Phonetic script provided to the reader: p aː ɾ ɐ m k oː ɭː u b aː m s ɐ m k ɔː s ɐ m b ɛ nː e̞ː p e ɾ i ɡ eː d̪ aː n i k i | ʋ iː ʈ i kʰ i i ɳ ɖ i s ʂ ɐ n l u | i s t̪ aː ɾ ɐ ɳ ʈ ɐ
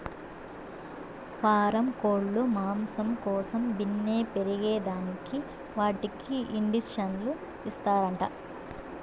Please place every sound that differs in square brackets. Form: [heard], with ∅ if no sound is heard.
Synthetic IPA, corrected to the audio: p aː ɾ ɐ m k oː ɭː u [m] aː m s ɐ m k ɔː s ɐ m b [i] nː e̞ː p e ɾ i ɡ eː d̪ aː n i k i | ʋ [aː] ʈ i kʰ i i ɳ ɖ i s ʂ ɐ n l u | i s t̪ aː ɾ ɐ ɳ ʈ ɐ